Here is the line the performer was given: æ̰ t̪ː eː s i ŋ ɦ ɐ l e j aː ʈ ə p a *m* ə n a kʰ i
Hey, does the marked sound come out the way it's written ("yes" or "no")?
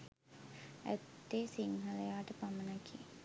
yes